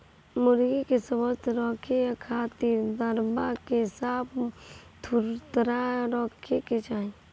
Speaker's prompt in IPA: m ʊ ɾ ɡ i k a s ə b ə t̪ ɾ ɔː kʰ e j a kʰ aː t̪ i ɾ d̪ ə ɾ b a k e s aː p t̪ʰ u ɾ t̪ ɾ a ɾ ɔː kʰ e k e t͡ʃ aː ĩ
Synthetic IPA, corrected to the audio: m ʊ ɾ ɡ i k e s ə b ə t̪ ɾ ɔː kʰ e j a kʰ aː t̪ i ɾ d̪ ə ɾ b a k e s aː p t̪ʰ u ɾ t̪ ɾ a ɾ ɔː kʰ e k e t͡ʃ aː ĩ

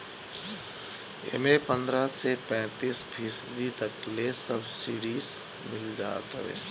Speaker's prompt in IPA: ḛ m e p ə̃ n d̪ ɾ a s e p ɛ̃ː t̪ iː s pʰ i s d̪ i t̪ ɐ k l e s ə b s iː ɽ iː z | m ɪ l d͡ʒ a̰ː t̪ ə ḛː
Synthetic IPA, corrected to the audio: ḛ m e p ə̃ n d̪ ɾ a s e p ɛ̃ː t̪ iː s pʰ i s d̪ i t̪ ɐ k l e s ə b s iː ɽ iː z | m ɪ l d͡ʒ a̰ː t̪ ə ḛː

